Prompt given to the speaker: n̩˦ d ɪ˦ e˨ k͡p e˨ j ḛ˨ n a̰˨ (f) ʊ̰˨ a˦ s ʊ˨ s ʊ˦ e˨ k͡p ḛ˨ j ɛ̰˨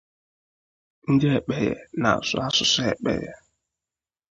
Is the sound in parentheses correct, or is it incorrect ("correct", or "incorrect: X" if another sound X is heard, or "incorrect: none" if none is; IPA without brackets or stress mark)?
incorrect: s